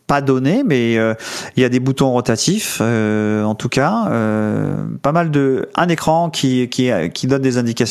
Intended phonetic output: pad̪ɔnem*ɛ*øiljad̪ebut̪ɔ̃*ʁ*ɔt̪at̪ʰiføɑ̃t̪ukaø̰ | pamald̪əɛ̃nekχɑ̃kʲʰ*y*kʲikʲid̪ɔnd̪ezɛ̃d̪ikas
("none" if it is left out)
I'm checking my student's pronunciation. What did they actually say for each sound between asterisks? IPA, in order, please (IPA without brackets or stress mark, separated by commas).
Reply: ɛ, ʁ, i